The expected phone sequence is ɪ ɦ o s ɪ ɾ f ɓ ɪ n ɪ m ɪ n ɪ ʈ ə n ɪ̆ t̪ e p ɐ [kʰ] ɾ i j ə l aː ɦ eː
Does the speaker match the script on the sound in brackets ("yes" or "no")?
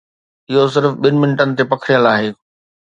yes